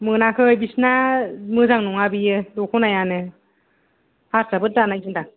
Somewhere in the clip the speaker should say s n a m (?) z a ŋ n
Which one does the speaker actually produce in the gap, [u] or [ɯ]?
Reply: ɯ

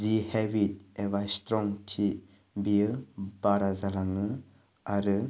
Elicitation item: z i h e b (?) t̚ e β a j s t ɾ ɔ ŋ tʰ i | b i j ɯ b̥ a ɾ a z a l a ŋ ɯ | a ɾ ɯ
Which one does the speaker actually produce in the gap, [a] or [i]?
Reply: i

